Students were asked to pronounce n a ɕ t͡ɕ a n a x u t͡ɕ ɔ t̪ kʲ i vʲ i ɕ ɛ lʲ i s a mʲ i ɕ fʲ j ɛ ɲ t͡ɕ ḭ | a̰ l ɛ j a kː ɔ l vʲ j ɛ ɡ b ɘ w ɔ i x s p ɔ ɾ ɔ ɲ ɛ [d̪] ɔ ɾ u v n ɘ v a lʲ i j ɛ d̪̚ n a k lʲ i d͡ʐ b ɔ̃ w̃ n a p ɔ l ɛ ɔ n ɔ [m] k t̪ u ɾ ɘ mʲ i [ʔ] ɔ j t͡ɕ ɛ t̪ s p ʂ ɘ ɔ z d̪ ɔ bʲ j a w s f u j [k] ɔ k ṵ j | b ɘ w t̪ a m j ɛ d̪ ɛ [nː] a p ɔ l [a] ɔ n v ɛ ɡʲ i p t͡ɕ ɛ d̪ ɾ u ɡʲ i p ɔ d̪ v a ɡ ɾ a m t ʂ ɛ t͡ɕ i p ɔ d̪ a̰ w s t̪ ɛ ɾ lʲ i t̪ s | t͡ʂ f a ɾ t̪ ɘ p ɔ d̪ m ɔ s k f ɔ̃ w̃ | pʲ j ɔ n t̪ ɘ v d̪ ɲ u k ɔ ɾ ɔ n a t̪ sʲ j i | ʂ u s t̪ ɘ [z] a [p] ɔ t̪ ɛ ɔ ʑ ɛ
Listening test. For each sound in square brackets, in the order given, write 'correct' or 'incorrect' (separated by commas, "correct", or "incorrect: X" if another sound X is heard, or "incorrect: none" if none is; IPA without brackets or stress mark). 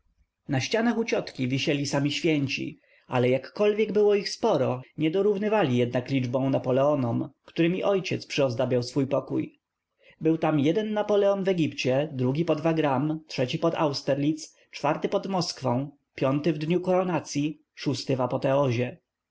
correct, correct, correct, incorrect: p, correct, incorrect: ɛ, incorrect: v, correct